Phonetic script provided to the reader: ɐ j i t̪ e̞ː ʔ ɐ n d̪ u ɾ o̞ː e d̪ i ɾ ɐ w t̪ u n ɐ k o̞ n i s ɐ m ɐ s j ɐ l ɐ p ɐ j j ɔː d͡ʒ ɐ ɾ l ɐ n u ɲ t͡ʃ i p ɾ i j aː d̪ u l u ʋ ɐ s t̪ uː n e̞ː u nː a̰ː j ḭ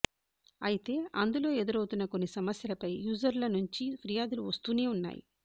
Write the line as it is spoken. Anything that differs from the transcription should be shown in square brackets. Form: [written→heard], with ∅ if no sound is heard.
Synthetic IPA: ɐ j i t̪ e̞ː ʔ ɐ n d̪ u [ɾ→l] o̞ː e d̪ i ɾ ɐ w t̪ u [n→nː] ɐ k o̞ [n→nː] i s ɐ m ɐ s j ɐ l ɐ p ɐ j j [ɔː→uː] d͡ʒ ɐ ɾ l ɐ n u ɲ t͡ʃ i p ɾ i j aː d̪ u l u ʋ ɐ s t̪ uː n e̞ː u nː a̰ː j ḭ